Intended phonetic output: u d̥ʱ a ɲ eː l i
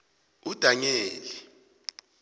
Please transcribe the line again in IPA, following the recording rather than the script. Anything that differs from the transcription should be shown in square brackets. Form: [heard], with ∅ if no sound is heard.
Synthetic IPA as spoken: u d̥ʱ a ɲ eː l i